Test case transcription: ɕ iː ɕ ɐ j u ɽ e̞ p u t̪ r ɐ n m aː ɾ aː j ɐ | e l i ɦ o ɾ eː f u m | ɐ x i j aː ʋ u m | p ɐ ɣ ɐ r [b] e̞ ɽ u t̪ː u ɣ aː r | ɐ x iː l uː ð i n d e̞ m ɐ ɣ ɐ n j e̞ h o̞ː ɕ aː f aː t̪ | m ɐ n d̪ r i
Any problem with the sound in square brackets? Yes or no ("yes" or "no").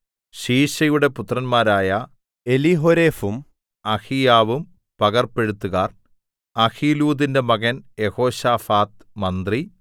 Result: yes